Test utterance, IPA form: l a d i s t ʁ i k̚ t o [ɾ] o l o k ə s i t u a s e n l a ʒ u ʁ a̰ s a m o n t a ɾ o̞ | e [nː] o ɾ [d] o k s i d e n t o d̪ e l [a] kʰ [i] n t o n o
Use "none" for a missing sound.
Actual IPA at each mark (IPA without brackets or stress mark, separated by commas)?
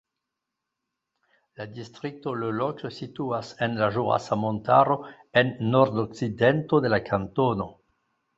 l, nː, d, a, a